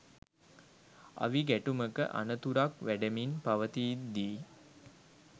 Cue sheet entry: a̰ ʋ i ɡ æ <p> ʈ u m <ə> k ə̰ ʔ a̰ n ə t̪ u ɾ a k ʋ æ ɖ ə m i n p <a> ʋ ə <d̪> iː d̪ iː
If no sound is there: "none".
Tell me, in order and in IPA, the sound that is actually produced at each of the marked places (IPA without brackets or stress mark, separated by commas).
none, ə, a, t̪